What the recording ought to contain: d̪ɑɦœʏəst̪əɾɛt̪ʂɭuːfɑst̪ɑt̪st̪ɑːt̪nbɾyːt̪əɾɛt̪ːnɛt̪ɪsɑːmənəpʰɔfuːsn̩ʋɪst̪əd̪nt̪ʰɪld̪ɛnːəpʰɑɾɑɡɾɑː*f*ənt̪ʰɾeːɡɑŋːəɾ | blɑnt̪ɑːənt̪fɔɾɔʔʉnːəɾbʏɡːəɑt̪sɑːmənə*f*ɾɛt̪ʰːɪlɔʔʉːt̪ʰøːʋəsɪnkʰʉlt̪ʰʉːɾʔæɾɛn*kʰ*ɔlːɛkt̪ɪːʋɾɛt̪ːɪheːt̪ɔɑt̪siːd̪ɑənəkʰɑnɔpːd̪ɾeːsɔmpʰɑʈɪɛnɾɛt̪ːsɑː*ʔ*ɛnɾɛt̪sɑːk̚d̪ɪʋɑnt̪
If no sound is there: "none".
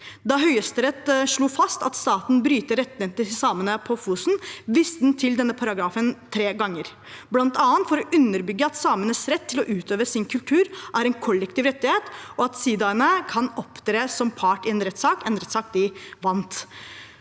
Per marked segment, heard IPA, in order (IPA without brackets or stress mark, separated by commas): f, s, kʰ, k